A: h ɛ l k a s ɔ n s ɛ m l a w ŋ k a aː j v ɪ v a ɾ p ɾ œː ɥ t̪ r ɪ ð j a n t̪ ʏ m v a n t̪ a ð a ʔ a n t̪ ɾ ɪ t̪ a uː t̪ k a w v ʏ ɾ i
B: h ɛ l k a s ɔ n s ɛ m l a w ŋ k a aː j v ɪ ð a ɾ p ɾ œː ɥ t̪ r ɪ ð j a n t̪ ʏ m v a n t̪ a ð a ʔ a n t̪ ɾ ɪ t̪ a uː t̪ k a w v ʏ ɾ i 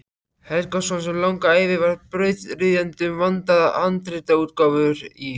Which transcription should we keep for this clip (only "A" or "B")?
A